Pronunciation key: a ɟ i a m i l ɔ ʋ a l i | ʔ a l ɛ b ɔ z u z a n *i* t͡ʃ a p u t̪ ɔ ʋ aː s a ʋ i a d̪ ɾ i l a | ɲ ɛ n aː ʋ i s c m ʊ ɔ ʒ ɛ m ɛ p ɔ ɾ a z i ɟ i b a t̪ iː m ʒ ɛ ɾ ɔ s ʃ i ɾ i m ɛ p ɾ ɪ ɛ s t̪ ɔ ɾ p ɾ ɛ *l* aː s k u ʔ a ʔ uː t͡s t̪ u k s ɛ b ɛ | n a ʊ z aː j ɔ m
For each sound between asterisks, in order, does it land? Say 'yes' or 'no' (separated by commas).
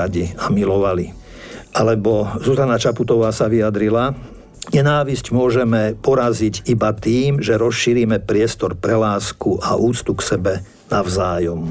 no, yes